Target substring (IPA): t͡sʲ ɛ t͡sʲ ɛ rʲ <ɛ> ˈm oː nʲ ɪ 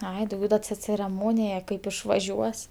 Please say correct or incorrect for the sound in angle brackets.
correct